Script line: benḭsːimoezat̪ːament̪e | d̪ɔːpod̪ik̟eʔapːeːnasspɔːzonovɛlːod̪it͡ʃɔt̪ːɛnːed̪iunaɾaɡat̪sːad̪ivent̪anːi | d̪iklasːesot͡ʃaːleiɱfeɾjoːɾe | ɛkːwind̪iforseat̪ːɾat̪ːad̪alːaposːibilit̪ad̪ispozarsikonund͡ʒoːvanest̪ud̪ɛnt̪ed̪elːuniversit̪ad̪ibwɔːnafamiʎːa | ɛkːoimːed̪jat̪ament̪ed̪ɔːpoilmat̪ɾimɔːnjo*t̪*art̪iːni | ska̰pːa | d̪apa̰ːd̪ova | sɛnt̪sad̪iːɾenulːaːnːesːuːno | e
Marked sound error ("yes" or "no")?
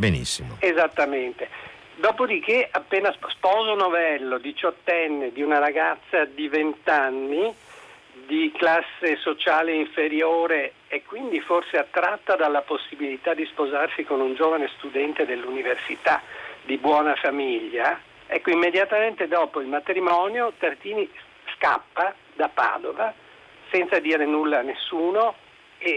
no